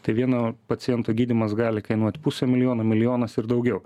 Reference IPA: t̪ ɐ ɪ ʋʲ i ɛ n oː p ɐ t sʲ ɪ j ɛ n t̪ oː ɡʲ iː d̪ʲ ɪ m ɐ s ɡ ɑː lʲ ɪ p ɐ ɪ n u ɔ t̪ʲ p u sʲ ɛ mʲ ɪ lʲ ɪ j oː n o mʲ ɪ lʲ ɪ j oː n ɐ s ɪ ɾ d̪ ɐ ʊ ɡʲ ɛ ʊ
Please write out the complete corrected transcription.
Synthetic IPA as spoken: t̪ ɐ ɪ ʋʲ i ɛ n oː p ɐ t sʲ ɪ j ɛ n t̪ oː ɡʲ iː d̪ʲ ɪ m ɐ s ɡ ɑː lʲ ɪ k ɐ ɪ n u ɔ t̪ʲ p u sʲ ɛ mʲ ɪ lʲ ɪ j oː n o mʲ ɪ lʲ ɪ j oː n ɐ s ɪ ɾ d̪ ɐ ʊ ɡʲ ɛ ʊ